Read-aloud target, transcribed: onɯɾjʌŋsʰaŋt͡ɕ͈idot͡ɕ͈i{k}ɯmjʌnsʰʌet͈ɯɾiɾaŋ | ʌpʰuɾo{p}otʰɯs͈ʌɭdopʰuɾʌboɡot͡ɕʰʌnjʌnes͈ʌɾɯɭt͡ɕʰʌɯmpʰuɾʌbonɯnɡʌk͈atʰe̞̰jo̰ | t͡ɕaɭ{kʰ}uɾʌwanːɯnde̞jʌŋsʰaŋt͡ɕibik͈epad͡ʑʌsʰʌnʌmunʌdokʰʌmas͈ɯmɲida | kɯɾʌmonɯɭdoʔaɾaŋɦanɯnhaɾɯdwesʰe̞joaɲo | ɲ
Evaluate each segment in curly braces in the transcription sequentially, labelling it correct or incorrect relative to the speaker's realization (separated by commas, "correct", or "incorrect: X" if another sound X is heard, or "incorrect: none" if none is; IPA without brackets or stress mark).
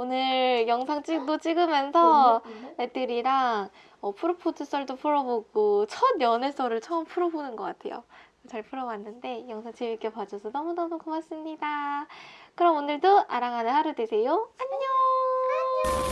incorrect: ɡ, incorrect: pʰ, incorrect: pʰ